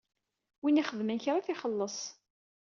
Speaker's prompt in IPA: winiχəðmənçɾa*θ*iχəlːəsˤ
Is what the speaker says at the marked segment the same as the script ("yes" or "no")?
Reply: yes